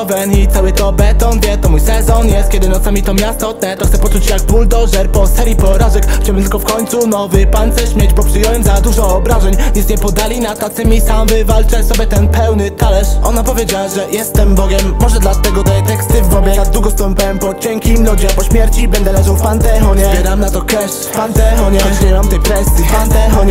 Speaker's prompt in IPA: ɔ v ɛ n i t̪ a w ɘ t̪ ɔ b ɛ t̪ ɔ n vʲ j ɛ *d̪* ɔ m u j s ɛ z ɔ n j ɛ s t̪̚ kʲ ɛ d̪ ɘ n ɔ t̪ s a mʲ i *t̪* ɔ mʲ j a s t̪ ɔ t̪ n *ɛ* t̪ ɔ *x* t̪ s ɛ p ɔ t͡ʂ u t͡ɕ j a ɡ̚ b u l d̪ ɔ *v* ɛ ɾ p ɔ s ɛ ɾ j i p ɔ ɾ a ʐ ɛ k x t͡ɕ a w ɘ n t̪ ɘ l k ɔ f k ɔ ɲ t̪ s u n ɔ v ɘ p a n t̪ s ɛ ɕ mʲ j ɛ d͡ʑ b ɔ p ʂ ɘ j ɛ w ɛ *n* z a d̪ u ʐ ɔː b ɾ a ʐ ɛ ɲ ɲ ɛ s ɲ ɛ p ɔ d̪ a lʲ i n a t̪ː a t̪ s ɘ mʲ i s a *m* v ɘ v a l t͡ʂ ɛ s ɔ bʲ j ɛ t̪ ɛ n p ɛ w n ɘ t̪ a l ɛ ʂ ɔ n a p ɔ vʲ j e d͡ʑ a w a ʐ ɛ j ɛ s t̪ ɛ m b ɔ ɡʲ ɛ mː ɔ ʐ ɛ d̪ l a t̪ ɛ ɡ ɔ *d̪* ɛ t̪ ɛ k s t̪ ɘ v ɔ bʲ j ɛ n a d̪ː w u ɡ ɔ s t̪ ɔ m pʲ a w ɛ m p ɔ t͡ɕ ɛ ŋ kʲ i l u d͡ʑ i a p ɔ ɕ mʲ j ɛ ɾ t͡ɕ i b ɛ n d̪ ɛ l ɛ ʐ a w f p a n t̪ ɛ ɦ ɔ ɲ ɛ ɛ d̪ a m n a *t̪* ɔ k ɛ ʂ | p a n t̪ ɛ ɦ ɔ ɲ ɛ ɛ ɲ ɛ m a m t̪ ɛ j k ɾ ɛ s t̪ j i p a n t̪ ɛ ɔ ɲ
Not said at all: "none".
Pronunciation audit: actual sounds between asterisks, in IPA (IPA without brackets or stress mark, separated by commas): t̪, t̪, ɛ, x, ʐ, m, m, t̪, t̪